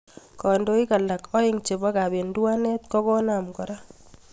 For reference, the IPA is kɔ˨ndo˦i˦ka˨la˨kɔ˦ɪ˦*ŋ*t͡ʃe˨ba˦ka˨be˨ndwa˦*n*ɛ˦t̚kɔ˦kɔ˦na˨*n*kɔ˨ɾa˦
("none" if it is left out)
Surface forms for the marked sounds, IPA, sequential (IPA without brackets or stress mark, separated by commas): ŋ, n, m